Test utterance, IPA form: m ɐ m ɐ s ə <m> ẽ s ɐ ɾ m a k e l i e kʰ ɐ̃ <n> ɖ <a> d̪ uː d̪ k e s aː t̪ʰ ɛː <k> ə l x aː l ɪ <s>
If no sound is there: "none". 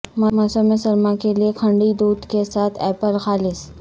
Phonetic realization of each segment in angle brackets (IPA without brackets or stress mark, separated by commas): m, ɳ, i, p, s